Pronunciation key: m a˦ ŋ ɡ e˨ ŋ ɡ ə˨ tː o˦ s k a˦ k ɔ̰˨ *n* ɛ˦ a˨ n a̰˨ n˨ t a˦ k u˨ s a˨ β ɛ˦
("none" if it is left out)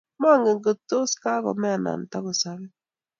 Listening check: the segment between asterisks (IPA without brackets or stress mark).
m